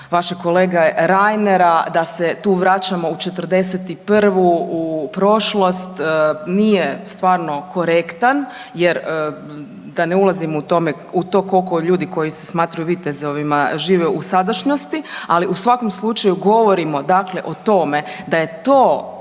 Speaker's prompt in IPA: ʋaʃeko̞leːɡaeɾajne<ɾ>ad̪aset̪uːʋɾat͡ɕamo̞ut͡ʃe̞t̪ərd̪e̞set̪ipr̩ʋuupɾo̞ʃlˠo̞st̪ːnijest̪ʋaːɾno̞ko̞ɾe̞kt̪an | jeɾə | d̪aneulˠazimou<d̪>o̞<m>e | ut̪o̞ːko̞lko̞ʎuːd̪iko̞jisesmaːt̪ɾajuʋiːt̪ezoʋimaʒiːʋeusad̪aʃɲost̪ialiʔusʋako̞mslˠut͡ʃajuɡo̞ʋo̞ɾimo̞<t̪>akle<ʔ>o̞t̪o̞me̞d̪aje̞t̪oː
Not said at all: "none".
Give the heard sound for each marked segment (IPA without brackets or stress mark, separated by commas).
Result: ɾ, t̪, m, d̪, ʔ